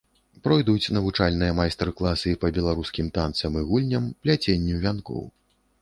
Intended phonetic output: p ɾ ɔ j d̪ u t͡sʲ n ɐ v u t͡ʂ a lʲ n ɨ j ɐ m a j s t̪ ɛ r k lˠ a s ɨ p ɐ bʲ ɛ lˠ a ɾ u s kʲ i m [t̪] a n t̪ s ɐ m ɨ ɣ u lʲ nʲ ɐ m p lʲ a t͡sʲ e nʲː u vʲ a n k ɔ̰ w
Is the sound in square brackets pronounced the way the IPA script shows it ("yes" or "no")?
yes